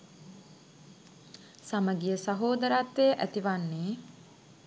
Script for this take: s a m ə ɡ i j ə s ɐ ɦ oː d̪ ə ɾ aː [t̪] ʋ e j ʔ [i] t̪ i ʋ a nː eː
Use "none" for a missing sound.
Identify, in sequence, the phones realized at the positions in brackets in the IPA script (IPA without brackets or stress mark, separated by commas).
t̪, æ